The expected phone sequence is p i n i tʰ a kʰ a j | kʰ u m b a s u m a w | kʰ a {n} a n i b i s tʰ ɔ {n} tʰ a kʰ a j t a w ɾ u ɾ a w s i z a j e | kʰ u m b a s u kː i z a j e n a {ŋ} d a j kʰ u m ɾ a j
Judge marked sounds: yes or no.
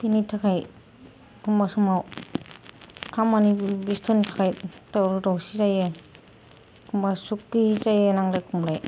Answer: no, yes, yes

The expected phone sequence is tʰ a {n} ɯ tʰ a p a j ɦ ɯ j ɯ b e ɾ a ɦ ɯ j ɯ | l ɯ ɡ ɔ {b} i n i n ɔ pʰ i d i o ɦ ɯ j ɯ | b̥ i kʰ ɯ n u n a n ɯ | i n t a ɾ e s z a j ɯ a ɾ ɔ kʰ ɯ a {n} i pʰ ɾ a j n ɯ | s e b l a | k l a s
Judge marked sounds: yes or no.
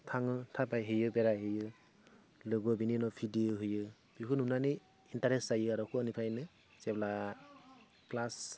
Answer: no, yes, yes

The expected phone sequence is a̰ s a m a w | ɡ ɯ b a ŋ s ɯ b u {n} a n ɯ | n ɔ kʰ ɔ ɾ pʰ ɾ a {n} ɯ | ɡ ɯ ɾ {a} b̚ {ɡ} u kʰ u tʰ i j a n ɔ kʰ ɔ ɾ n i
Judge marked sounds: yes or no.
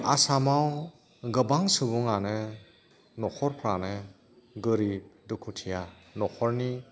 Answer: no, yes, no, no

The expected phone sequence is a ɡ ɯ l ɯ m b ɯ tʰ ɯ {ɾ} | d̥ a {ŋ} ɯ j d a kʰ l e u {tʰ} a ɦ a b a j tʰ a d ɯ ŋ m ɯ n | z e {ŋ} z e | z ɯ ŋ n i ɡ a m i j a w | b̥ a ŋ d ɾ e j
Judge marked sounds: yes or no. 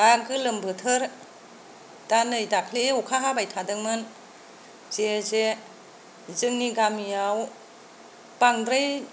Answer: yes, no, no, no

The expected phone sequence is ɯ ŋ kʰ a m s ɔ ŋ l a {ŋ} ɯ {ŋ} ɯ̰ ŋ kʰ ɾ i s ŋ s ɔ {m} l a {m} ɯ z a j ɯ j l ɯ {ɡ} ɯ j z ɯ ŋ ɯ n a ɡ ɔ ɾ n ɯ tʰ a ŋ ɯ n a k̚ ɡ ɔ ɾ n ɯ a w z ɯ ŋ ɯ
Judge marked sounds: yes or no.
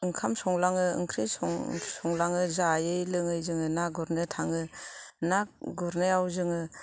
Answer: yes, no, no, no, no

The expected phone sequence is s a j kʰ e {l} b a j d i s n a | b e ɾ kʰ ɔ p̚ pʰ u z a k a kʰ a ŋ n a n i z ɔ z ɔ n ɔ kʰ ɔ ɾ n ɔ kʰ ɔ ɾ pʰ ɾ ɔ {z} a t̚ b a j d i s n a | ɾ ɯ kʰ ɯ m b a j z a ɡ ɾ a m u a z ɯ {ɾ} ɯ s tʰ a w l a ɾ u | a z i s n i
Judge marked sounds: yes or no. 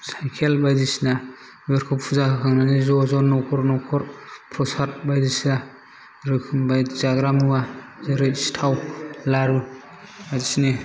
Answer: yes, no, yes

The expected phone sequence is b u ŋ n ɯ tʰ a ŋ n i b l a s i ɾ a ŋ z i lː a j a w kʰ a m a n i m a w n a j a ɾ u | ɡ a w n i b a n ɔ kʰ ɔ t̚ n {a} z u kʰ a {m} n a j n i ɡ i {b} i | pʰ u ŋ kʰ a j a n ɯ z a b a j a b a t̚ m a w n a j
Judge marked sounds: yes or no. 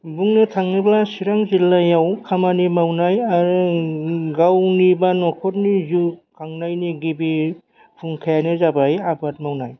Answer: no, no, yes

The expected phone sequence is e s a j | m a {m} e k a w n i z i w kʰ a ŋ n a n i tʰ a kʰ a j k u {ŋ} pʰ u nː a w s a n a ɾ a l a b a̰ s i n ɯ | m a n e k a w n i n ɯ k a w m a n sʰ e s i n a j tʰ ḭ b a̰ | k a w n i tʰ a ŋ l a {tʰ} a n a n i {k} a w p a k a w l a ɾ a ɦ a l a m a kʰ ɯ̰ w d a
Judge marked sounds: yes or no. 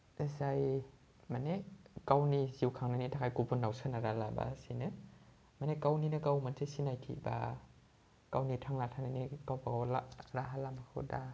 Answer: no, no, yes, yes

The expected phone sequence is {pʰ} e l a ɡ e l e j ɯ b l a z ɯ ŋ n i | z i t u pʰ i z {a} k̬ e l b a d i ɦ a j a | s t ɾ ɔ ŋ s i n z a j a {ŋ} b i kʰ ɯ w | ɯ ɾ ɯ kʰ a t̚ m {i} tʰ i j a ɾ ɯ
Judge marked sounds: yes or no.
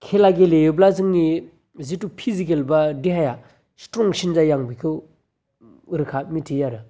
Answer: no, no, yes, yes

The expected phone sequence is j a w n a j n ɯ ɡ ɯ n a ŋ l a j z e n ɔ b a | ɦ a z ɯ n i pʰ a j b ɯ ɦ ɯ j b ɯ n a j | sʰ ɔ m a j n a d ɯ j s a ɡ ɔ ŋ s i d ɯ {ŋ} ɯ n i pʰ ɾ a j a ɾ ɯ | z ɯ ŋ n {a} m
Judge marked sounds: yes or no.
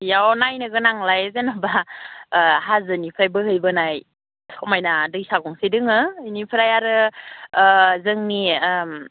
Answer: yes, no

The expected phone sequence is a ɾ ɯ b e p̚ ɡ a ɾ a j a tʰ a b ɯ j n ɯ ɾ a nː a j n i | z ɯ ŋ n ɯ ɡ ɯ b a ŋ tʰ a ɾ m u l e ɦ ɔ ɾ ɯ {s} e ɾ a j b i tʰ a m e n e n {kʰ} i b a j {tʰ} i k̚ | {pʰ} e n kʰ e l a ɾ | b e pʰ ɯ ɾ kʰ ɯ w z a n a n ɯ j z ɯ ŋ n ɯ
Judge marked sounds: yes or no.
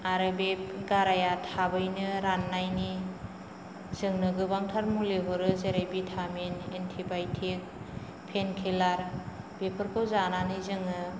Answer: no, no, yes, yes

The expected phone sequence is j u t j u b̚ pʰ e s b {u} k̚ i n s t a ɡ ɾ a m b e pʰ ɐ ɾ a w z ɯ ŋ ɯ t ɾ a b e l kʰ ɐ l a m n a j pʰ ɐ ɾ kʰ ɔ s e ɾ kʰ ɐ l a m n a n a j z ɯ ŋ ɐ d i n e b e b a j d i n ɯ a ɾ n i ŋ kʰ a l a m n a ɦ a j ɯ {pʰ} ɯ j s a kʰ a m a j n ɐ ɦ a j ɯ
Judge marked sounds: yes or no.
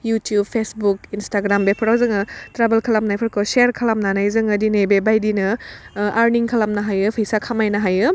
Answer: yes, yes

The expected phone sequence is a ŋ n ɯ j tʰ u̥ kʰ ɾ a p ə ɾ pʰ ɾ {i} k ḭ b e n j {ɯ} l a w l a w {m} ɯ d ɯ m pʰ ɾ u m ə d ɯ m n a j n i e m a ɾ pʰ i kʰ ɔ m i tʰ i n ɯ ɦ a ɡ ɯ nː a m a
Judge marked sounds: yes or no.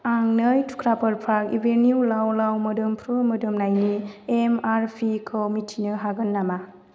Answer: no, no, yes

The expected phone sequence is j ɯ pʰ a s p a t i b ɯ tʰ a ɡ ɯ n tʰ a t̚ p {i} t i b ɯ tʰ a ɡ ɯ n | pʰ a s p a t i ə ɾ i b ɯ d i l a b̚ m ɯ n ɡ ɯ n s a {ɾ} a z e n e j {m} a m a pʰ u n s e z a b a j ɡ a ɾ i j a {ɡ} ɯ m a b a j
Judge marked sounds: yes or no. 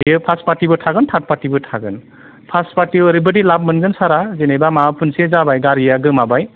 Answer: no, yes, no, yes

